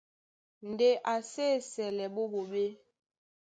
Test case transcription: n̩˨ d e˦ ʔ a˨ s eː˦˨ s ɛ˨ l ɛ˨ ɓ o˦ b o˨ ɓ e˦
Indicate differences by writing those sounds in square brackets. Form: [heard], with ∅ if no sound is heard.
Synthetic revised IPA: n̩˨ d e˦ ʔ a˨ s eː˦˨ s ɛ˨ l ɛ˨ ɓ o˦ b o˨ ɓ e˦

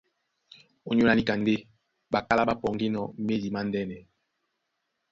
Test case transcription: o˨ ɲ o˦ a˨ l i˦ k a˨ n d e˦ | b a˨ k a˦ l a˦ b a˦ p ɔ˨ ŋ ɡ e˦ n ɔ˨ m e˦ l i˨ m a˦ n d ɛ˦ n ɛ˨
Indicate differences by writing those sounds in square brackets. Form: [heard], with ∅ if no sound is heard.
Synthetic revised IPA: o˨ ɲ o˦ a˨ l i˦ k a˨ n d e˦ | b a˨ k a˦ l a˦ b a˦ p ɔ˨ ŋ ɡ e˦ n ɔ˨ m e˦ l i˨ m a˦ n d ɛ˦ n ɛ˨

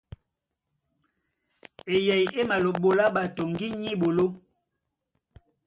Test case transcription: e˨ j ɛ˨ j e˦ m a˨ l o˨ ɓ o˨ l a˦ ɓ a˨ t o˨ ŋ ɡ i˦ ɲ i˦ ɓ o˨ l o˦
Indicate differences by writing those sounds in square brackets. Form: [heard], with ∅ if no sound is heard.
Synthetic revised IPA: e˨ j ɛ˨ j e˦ m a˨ l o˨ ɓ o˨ l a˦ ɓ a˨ t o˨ ŋ ɡ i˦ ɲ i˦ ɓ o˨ l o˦

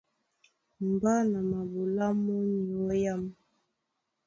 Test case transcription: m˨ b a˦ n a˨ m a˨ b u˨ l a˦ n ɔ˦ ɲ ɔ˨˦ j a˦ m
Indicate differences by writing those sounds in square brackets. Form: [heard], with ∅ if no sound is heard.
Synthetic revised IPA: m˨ b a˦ n a˨ m a˨ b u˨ l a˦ [m] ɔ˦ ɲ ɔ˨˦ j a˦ m

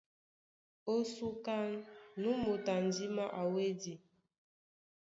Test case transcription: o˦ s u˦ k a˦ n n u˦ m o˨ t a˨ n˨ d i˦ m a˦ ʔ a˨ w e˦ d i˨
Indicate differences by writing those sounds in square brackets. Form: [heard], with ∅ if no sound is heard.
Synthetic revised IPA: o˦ s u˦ k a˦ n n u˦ m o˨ t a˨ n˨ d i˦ m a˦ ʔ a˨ w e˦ d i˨

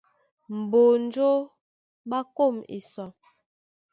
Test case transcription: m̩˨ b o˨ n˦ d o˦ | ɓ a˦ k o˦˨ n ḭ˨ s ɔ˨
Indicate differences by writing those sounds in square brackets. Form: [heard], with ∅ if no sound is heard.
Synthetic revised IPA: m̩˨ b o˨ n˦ [d͡ʒ] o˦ | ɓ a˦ k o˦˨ [m] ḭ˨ s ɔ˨

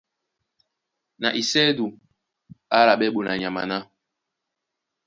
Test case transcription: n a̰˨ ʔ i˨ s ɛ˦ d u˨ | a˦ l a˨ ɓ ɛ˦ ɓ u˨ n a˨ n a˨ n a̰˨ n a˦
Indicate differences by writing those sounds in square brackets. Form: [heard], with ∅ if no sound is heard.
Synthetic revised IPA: n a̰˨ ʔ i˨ s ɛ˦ d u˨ | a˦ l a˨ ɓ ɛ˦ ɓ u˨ n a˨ [ɲ] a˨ [m] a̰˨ n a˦

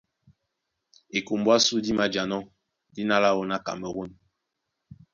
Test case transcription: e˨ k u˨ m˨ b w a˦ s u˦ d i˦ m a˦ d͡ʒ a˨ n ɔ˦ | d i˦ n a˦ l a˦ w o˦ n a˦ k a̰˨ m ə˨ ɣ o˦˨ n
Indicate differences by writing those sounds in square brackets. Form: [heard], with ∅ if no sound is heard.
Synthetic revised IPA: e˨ k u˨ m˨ b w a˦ s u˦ d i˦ m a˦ d͡ʒ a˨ n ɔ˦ | d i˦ n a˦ l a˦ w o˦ n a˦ k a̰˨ m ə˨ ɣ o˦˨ n

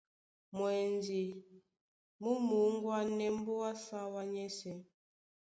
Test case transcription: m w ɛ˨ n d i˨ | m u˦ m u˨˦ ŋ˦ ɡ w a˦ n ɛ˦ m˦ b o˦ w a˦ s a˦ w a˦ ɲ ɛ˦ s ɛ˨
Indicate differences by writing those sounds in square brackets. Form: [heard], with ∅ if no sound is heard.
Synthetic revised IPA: m w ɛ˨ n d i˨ | m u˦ m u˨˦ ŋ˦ ɡ w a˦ n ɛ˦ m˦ b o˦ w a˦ s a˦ w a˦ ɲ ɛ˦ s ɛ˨

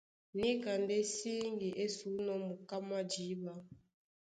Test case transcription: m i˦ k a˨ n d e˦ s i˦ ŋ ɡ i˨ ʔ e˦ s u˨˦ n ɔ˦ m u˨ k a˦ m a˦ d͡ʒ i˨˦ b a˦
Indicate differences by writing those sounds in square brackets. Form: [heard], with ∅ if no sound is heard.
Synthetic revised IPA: [n] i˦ k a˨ n d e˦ s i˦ ŋ ɡ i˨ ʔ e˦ s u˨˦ n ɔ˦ m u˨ k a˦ m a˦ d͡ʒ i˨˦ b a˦

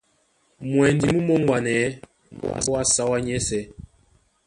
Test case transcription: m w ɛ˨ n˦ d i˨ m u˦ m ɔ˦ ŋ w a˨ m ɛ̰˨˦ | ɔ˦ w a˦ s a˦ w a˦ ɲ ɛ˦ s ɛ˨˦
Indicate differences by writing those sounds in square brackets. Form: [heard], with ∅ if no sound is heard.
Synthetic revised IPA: m w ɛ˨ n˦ d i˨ m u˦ m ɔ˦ ŋ w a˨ [n] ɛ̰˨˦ | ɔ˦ w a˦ s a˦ w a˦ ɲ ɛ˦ s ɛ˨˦

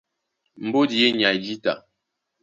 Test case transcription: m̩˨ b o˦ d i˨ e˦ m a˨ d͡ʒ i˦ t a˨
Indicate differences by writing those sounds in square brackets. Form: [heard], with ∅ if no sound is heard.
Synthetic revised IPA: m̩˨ b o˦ d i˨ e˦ [ɲ] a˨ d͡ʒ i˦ t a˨

